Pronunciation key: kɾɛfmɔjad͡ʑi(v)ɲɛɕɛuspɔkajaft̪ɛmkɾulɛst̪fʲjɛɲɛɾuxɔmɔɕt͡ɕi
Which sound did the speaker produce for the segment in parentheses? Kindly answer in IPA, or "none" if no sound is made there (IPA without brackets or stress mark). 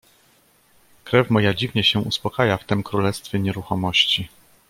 v